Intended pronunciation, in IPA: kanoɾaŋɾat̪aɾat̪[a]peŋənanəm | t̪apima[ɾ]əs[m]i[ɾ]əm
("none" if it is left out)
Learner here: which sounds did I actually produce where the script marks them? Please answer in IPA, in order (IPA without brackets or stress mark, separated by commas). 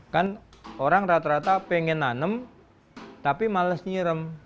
a, l, ɲ, ɾ